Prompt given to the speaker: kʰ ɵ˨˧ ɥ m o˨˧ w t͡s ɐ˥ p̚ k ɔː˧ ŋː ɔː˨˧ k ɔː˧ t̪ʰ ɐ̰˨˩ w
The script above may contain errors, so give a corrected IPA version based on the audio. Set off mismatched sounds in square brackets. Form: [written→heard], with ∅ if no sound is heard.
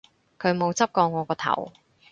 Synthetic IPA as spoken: kʰ ɵ˨˧ ɥ m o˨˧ w t͡s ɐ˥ p̚ k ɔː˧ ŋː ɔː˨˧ k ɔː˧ t̪ʰ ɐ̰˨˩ w